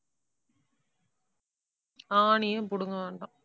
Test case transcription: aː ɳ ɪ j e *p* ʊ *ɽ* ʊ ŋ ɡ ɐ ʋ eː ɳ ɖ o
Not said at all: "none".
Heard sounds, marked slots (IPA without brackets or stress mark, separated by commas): p, ɽ